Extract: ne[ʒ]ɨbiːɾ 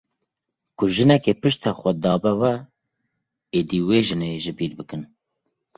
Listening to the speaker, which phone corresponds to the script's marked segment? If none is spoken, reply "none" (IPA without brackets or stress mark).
ʒ